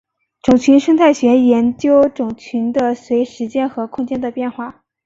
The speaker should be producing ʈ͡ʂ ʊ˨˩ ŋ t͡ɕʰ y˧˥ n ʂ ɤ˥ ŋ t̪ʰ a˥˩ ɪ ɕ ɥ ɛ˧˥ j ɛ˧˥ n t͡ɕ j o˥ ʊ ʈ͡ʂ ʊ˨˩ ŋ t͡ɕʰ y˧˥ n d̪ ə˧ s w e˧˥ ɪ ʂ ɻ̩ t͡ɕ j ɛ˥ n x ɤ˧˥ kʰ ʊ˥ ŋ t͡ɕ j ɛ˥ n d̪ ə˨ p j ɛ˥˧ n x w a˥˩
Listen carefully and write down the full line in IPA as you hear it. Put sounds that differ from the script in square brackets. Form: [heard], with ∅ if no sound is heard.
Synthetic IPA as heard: ʈ͡ʂ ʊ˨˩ ŋ t͡ɕʰ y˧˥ n ʂ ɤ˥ ŋ t̪ʰ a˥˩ ɪ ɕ ɥ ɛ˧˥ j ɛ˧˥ n t͡ɕ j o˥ ʊ ʈ͡ʂ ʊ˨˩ ŋ t͡ɕʰ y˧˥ n d̪ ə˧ s w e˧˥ ɪ ʂ ɻ̩ t͡ɕ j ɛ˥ n x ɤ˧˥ kʰ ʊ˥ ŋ t͡ɕ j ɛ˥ n d̪ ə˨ p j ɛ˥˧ n x w a˥˩